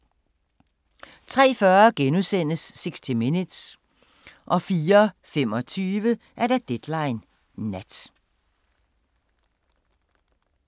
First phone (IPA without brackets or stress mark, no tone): t͡sʰ